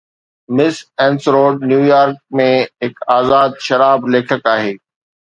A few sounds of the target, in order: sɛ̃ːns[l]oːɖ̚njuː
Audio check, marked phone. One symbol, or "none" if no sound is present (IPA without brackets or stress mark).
ɾ